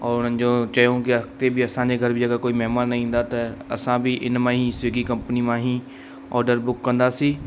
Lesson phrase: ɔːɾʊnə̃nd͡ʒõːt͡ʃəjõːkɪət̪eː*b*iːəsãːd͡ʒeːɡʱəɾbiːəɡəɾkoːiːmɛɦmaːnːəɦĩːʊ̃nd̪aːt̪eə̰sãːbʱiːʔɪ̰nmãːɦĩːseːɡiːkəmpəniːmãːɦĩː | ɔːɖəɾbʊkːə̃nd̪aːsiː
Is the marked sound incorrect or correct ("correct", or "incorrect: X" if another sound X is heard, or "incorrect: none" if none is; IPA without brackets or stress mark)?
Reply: correct